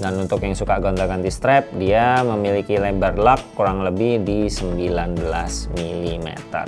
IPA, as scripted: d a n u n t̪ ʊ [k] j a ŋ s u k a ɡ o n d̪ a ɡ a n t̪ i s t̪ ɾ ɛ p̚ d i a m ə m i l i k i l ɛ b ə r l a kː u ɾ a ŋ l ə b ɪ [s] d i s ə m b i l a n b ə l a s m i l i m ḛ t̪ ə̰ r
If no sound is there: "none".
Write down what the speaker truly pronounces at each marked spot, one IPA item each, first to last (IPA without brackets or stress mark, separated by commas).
k, h